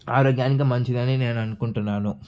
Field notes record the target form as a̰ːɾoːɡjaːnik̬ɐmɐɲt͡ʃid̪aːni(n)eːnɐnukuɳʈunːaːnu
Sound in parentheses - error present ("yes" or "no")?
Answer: no